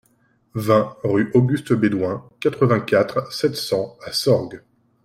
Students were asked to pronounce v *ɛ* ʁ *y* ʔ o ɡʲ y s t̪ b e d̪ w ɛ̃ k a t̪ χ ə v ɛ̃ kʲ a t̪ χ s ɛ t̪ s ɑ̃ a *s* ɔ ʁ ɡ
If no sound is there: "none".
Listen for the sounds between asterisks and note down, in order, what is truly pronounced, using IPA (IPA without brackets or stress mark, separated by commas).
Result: ɛ̃, y, s